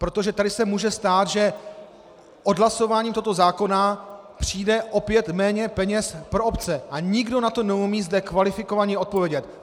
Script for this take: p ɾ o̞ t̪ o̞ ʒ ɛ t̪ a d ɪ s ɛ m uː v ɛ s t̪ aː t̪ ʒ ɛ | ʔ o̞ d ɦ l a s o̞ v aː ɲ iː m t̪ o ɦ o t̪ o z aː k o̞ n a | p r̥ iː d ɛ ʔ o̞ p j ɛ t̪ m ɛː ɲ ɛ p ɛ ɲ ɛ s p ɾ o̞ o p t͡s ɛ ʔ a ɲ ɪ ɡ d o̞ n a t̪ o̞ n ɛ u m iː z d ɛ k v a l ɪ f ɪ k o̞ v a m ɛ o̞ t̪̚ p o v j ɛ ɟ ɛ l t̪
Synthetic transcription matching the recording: p ɾ o̞ t̪ o̞ ʒ ɛ t̪ a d ɪ s ɛ m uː ʒ ɛ s t̪ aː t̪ ʒ ɛ | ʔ o̞ d ɦ l a s o̞ v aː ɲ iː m t̪ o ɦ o t̪ o z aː k o̞ n a | p r̥ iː d ɛ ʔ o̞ p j ɛ t̪ m ɛː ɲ ɛ p ɛ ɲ ɛ s p ɾ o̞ o p t͡s ɛ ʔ a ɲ ɪ ɡ d o̞ n a t̪ o̞ n ɛ u m iː z d ɛ k v a l ɪ f ɪ k o̞ v a ɲ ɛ o̞ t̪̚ p o v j ɛ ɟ ɛ t̪